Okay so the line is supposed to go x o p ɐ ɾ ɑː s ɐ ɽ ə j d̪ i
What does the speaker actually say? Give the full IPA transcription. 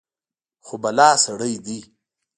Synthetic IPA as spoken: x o b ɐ l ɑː s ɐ ɽ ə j d̪ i